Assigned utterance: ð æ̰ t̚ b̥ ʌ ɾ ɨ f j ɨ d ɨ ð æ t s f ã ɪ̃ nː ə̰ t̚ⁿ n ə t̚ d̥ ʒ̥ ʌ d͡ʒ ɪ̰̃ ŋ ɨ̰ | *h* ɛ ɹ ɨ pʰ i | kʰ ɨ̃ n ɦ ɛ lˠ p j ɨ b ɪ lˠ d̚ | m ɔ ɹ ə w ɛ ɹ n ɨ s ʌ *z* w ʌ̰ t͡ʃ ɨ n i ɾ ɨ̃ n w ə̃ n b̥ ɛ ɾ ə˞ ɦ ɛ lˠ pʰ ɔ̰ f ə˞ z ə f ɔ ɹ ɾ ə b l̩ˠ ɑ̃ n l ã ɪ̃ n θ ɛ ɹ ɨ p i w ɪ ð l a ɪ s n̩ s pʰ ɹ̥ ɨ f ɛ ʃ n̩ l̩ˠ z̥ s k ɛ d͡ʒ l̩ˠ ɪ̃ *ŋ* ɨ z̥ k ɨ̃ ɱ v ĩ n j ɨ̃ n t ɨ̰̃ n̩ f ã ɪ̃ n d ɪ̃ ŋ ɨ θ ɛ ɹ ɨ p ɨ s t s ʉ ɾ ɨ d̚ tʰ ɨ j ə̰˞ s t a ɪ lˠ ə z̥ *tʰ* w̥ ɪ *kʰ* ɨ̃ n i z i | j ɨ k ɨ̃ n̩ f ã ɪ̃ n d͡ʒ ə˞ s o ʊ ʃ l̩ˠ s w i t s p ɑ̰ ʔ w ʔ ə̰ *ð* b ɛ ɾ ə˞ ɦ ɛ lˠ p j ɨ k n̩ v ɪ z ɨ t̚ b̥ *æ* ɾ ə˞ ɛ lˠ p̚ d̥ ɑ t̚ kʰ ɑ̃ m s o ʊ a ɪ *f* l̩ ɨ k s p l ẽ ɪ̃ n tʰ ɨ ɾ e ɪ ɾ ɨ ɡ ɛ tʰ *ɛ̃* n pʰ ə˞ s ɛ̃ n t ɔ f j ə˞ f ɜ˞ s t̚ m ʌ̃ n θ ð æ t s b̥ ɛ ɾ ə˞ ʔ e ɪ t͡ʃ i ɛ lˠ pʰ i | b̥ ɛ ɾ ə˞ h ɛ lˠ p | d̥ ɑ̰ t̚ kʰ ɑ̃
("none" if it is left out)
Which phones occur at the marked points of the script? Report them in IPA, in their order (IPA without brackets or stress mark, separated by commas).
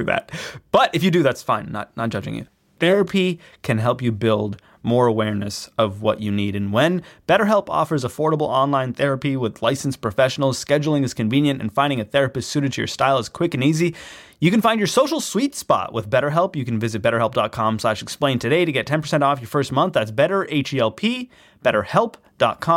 θ, v, ŋ, kʰ, k, ð, ɛ, ʃ, ɛ̃